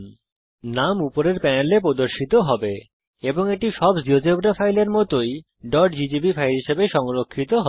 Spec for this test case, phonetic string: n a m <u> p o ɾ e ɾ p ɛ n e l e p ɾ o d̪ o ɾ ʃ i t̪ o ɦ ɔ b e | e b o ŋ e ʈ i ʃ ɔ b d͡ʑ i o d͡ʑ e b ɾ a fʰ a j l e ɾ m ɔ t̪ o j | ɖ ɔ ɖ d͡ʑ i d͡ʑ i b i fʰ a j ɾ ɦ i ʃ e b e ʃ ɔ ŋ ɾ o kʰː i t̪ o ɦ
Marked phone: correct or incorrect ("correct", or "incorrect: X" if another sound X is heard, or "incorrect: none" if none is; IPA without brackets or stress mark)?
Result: correct